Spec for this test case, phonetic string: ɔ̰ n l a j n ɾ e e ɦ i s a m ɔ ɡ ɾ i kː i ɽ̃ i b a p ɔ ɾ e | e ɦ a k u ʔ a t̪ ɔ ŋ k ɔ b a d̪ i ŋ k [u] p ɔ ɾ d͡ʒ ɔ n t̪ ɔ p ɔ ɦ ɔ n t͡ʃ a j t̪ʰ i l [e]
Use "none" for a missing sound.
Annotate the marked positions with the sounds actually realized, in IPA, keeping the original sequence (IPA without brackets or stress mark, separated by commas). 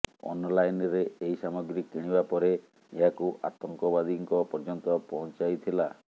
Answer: ɔ, a